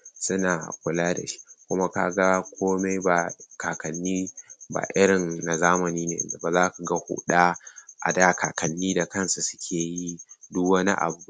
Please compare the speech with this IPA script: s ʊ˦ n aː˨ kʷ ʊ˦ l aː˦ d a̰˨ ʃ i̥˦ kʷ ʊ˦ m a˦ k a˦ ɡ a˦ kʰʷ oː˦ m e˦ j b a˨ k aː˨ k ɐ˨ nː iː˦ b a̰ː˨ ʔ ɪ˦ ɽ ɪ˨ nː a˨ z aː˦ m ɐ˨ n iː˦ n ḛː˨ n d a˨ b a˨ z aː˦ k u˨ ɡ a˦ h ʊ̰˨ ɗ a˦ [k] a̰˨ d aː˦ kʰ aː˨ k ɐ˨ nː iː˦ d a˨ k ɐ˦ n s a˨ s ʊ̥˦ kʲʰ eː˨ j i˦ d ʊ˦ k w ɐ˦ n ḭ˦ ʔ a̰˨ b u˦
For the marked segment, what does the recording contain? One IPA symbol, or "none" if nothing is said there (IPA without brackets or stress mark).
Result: ʔ